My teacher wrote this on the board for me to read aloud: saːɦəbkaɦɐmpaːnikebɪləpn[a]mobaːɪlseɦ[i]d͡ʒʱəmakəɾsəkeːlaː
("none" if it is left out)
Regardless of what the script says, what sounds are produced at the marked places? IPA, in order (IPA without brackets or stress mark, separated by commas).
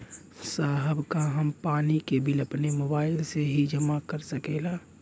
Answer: e, i